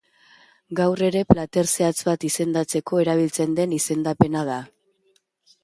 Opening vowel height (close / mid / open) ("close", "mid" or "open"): open